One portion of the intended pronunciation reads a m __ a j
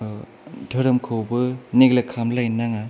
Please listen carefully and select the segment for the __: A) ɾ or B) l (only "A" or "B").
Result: B